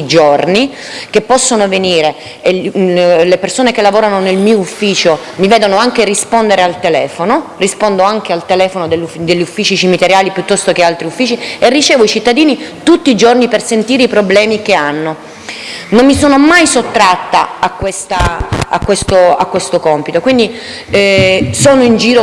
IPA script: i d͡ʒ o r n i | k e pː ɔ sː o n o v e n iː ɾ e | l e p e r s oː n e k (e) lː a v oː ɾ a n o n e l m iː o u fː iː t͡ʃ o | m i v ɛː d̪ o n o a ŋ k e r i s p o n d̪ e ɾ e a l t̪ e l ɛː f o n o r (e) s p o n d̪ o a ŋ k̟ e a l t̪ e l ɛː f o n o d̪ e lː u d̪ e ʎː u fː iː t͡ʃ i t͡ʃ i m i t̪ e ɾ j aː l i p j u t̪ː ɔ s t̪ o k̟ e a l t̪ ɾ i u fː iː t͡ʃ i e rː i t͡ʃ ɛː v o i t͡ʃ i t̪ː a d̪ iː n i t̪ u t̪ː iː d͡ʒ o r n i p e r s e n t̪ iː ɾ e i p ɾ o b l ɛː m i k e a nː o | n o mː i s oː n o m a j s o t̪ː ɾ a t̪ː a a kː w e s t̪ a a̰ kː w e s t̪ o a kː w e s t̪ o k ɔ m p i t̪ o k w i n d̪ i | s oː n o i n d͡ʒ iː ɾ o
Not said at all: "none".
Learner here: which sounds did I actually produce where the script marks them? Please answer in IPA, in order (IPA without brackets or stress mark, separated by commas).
e, i